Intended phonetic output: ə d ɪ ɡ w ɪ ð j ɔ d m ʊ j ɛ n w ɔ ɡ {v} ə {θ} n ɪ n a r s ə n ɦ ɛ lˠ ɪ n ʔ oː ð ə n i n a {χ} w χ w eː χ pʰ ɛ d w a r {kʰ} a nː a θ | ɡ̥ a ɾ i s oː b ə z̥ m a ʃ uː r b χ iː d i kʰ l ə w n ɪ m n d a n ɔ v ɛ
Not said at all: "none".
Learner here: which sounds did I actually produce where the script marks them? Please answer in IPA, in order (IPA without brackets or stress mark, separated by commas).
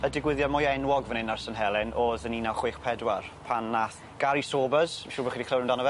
v, none, none, pʰ